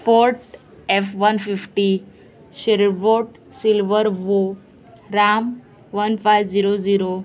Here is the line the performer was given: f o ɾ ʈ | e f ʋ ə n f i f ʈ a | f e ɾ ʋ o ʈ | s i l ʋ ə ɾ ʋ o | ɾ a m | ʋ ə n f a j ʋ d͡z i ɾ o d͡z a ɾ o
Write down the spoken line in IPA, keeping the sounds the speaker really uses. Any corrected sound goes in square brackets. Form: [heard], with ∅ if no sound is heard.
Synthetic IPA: f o ɾ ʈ | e f ʋ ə n f i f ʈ [i] | [ɕ] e ɾ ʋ o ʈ | s i l ʋ ə ɾ ʋ o | ɾ a m | ʋ ə n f a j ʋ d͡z i ɾ o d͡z [i] ɾ o